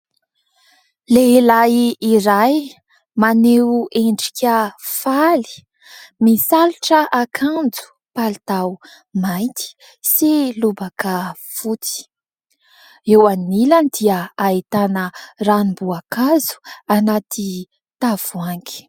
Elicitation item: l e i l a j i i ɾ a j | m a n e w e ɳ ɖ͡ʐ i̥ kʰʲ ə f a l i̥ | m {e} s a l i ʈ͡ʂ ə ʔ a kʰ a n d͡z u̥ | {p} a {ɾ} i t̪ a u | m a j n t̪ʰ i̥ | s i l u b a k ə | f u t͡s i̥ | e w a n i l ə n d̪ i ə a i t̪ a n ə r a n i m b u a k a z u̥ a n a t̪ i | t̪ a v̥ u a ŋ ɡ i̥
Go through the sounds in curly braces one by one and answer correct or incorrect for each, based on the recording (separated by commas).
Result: incorrect, correct, incorrect